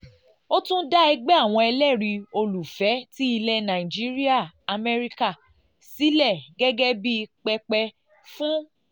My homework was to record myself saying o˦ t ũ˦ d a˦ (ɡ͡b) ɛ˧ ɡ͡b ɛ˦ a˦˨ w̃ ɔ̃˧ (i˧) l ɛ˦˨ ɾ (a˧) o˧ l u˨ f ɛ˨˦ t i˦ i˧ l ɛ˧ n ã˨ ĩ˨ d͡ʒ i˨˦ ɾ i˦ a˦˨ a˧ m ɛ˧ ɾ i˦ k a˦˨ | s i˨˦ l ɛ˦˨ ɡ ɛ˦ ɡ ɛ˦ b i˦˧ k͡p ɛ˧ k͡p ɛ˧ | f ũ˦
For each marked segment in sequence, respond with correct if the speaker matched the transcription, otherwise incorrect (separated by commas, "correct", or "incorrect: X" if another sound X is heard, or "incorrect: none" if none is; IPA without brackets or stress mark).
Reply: incorrect: none, incorrect: ɛ˧, incorrect: i˧